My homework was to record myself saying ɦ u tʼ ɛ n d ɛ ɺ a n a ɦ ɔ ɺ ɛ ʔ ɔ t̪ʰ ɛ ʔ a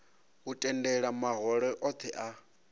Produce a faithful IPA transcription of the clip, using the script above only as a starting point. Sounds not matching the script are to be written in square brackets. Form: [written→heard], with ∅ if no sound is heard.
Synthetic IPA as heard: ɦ u tʼ ɛ n d ɛ ɺ a [n→m] a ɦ ɔ ɺ ɛ ʔ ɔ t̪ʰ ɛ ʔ a